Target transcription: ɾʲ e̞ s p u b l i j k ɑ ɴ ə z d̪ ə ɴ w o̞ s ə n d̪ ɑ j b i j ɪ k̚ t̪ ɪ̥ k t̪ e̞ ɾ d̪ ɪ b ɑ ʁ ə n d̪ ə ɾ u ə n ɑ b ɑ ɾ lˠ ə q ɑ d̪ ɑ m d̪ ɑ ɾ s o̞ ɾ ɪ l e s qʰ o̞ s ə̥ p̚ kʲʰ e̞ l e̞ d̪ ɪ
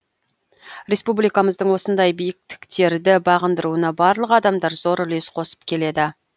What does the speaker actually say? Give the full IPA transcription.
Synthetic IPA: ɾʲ e̞ s p u b l i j k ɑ m ə z d̪ ə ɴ w o̞ s ə n d̪ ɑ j b i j ɪ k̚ t̪ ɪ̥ k t̪ e̞ ɾ d̪ ɪ b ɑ ʁ ə n d̪ ə ɾ u ə n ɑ b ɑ ɾ lˠ ə q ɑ d̪ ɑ m d̪ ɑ ɾ z o̞ ɾ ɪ l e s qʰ o̞ s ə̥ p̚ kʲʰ e̞ l e̞ d̪ ɪ